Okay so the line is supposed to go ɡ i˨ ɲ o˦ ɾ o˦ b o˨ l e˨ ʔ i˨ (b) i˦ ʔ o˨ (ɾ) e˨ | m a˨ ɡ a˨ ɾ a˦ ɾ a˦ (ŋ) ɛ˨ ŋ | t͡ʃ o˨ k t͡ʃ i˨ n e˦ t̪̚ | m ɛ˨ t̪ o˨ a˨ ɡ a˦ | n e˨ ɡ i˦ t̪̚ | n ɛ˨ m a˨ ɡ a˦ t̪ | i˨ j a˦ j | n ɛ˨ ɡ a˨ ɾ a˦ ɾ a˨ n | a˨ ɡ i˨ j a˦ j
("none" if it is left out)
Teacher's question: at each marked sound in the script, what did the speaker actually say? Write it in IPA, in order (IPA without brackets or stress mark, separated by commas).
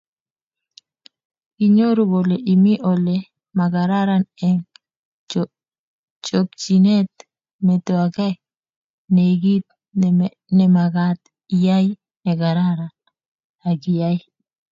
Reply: m, l, n